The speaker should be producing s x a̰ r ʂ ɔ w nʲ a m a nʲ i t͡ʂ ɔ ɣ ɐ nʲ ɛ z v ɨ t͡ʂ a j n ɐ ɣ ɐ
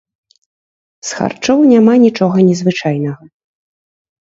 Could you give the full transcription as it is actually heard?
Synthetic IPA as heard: s x a̰ r t͡ʂ ɔ w nʲ a m a nʲ i t͡ʂ ɔ ɣ ɐ nʲ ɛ z v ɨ t͡ʂ a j n ɐ ɣ ɐ